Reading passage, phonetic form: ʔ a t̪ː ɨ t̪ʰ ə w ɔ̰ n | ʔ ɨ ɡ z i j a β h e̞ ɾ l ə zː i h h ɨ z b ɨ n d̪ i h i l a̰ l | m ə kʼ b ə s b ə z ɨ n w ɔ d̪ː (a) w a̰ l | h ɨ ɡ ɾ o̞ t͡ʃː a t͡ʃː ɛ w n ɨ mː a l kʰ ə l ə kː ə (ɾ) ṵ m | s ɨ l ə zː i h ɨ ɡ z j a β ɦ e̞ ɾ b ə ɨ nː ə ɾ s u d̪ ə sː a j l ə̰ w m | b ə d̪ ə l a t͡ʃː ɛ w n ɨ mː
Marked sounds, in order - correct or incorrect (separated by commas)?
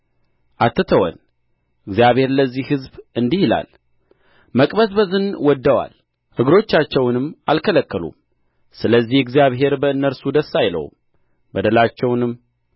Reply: incorrect, incorrect